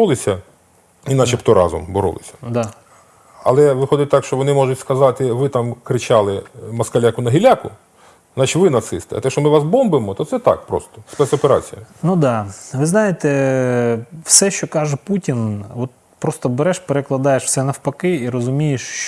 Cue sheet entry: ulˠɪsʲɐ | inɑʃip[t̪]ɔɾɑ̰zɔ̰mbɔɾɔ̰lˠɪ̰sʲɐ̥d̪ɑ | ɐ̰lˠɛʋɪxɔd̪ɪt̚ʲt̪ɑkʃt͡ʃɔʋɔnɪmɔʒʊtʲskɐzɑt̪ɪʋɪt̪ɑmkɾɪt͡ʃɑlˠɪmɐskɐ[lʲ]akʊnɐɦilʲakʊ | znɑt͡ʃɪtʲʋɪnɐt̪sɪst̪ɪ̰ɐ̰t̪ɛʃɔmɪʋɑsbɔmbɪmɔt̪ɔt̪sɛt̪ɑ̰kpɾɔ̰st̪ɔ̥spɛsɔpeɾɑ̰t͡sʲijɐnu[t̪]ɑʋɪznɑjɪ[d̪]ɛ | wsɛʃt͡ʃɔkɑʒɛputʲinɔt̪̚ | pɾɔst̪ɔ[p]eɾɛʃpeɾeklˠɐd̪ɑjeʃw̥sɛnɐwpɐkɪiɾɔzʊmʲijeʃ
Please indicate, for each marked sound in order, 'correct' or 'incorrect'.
correct, correct, incorrect, incorrect, incorrect

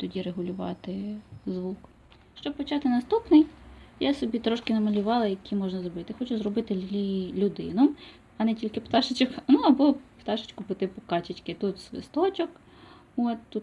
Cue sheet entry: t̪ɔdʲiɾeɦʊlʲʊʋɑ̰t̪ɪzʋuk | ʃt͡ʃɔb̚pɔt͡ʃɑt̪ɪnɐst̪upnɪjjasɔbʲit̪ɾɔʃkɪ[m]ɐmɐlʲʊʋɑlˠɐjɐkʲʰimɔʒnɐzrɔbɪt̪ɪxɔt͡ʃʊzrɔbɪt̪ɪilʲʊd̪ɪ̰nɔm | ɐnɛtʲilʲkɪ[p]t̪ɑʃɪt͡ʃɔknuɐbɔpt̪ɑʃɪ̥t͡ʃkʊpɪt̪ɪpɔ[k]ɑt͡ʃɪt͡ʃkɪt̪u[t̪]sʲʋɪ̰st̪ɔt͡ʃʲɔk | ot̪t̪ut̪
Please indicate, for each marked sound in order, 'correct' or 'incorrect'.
incorrect, correct, correct, correct

